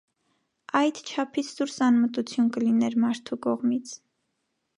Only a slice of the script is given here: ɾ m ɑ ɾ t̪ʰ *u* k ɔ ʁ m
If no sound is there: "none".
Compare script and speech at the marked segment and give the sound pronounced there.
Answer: u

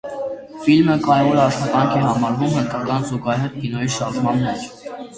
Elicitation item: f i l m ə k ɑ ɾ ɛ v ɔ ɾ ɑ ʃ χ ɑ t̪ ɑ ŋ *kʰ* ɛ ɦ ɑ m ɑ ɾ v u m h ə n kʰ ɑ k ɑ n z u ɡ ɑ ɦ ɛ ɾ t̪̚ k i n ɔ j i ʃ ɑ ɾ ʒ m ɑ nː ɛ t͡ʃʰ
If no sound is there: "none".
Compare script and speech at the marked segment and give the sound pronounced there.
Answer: kʰ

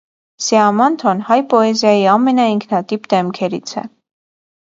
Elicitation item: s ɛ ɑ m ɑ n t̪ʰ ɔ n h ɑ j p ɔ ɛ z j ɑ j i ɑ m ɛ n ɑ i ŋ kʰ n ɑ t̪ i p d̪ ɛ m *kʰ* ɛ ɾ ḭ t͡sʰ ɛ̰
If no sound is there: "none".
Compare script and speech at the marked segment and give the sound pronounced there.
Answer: kʰ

